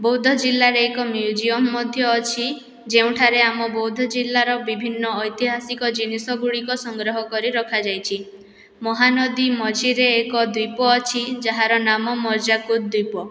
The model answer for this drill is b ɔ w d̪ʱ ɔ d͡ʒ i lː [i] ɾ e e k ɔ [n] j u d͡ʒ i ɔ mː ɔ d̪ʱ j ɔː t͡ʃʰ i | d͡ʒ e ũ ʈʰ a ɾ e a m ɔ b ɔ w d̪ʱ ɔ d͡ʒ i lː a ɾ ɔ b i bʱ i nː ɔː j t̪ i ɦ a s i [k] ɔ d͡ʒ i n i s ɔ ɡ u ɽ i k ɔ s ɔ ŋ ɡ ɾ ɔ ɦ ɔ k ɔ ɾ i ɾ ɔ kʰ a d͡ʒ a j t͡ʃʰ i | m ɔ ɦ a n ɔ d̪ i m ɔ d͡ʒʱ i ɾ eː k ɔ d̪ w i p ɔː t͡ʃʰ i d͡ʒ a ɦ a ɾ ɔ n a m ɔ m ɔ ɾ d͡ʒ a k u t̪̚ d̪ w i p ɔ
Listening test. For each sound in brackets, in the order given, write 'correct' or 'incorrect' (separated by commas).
incorrect, incorrect, correct